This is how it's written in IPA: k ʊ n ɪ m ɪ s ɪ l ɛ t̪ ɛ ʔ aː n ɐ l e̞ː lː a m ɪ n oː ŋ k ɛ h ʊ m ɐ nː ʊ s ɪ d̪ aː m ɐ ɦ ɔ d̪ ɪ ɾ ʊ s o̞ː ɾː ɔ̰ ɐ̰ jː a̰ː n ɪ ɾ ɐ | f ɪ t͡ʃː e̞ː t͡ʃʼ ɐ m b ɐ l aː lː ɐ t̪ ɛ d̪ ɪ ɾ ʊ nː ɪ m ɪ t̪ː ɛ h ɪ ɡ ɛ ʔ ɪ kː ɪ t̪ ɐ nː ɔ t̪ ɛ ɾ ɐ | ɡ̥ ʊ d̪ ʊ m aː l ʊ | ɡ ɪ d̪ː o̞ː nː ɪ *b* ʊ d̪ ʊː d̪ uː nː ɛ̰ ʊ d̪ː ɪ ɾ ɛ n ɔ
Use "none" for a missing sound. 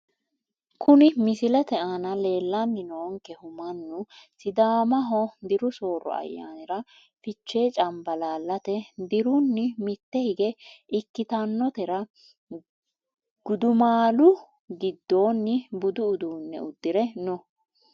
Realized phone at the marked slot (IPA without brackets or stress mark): b